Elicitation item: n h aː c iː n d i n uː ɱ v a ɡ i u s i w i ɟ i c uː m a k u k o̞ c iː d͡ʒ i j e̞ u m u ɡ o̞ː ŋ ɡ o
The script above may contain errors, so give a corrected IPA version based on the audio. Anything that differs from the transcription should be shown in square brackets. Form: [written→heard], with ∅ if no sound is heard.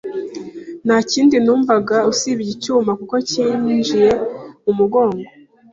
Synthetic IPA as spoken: n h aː c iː n d i n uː ɱ v a ɡ [i→a] u s i [w→β] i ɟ i c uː m a k u k o̞ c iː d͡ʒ i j e̞ u m u ɡ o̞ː ŋ ɡ o